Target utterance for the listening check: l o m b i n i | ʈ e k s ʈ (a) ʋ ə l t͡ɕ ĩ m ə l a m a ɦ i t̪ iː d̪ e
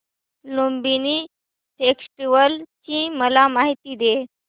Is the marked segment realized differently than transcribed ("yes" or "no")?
yes